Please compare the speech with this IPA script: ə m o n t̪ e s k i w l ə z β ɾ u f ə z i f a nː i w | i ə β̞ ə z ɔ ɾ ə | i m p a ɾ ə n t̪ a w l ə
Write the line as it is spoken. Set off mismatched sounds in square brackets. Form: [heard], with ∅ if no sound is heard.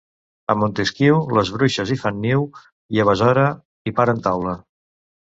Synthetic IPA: ə m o n t̪ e s k i w l ə z β ɾ u [ʃ] ə z i f a nː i w | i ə β̞ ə z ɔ ɾ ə | i [∅] p a ɾ ə n t̪ a w l ə